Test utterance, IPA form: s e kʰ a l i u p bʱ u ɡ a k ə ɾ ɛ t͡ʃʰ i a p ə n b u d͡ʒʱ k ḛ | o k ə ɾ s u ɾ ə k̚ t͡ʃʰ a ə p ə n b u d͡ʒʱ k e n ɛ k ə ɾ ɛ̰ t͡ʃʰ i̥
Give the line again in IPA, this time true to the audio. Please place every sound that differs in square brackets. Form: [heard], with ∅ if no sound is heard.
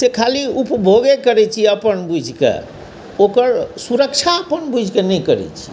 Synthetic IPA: s e kʰ a l i u p bʱ [o] ɡ [e] k ə ɾ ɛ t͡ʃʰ i [ə] p ə n b u d͡ʒʱ k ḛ | o k ə ɾ s u ɾ ə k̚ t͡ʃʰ a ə p ə n b u d͡ʒʱ k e n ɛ k ə ɾ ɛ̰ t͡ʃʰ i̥